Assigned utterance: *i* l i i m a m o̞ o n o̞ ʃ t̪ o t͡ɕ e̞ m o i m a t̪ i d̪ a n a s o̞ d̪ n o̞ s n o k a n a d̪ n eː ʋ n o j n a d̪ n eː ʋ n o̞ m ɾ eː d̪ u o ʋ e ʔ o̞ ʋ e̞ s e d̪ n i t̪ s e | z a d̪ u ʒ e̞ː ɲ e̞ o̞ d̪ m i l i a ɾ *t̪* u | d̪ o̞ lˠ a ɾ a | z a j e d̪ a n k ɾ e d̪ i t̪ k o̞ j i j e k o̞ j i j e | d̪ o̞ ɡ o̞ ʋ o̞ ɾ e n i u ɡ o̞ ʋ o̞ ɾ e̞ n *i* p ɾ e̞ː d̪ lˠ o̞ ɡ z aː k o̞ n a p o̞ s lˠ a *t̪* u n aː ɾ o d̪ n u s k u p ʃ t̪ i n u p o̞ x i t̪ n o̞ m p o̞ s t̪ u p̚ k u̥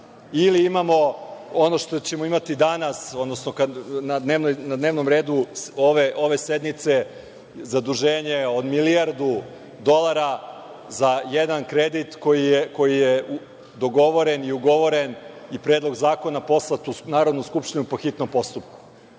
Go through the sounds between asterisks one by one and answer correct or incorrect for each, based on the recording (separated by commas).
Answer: correct, incorrect, correct, correct